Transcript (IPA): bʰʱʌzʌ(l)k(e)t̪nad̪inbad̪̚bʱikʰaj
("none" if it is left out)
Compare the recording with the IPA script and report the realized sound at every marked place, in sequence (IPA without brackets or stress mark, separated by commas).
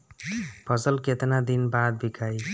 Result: l, e